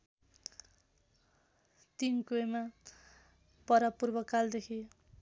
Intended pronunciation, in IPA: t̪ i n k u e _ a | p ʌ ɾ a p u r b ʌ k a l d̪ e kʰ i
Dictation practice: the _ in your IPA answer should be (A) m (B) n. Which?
A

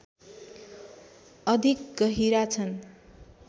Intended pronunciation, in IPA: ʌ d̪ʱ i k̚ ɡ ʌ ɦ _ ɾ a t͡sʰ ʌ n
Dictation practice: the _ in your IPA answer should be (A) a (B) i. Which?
B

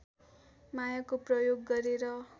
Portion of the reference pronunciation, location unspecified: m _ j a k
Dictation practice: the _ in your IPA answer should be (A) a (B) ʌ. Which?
A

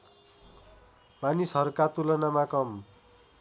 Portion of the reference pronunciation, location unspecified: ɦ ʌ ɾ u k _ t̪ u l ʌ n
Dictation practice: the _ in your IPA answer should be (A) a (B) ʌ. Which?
A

